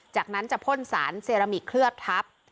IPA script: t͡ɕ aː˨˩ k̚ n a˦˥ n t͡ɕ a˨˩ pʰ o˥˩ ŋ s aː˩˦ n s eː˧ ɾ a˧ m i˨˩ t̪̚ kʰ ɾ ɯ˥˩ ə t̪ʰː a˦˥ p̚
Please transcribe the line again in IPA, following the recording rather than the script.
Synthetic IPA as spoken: t͡ɕ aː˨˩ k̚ n a˦˥ n t͡ɕ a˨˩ pʰ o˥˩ n s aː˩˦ n s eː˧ ɾ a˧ m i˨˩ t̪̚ kʰ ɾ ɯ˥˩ ə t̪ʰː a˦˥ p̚

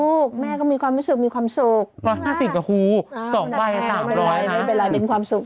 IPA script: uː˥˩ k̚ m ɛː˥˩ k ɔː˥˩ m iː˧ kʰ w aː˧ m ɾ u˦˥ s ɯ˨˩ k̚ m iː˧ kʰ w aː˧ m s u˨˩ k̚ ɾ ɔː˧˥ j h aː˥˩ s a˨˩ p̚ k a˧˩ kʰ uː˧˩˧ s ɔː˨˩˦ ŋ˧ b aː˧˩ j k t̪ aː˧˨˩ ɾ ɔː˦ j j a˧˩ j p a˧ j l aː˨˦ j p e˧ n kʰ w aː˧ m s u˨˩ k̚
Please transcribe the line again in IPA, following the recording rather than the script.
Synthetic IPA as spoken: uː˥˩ k̚ m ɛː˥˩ k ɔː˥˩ m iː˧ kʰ w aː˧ m ɾ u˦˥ s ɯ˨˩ k̚ m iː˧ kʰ w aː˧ m s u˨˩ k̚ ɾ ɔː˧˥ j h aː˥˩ s i˨˩ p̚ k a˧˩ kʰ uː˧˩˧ s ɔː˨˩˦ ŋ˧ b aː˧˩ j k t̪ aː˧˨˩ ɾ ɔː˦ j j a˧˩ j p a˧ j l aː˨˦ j p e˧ n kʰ w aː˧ m s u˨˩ k̚

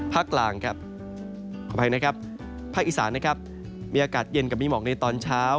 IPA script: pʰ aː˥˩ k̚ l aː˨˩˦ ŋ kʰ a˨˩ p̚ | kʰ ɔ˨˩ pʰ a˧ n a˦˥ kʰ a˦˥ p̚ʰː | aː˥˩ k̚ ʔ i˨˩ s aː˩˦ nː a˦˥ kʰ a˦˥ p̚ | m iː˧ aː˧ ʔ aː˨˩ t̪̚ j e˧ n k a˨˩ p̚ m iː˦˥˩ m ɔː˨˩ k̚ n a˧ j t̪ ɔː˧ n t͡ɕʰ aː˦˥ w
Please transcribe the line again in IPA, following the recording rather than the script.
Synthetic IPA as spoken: pʰ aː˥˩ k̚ l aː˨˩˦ ŋ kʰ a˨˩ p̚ | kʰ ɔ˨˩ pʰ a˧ n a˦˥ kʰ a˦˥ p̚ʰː | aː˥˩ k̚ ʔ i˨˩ s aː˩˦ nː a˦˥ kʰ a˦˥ p̚ | m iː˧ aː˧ k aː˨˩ t̪̚ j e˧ n k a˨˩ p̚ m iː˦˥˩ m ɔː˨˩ k̚ n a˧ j t̪ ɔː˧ n t͡ɕʰ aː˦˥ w

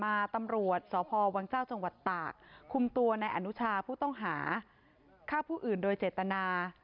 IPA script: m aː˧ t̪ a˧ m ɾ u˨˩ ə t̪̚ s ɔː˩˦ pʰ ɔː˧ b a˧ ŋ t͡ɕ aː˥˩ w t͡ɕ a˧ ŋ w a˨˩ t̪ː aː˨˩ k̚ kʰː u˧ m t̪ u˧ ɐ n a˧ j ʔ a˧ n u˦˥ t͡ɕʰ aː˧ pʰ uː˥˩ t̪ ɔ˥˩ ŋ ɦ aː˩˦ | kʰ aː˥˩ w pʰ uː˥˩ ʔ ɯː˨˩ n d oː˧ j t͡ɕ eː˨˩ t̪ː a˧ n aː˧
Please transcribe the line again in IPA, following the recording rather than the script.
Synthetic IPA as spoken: m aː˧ t̪ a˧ m ɾ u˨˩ ə t̪̚ s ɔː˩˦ pʰ ɔː˧ w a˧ ŋ t͡ɕ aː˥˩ w t͡ɕ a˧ ŋ w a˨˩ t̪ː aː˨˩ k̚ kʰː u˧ m t̪ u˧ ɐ n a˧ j ʔ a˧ n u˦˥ t͡ɕʰ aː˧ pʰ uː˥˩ t̪ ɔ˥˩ ŋ ɦ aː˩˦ | kʰ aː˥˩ w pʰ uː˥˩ ʔ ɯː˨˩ n d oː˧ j t͡ɕ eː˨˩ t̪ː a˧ n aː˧

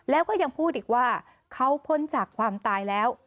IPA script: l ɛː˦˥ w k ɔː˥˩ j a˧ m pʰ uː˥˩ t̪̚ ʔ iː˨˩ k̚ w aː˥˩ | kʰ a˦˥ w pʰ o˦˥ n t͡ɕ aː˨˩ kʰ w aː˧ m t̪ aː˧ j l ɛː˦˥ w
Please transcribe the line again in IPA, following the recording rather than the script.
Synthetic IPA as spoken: l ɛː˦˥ w k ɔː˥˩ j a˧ ŋ pʰ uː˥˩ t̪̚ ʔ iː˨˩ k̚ w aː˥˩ | kʰ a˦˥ w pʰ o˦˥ n t͡ɕ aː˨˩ kʰ w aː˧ m t̪ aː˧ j l ɛː˦˥ w

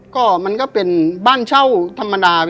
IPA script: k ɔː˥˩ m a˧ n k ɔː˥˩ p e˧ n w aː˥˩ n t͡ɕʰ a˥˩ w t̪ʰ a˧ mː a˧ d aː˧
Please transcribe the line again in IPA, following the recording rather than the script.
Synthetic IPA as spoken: k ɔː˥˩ m a˧ n k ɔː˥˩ p e˧ n b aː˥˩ n t͡ɕʰ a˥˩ w t̪ʰ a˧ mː a˧ d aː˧

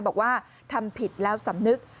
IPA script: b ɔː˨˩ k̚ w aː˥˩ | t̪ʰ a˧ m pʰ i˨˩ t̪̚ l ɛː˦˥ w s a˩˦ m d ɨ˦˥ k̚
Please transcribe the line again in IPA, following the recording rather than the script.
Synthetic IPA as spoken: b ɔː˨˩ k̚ w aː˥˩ | t̪ʰ a˧ m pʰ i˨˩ t̪̚ l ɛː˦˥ w s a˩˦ m n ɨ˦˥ k̚

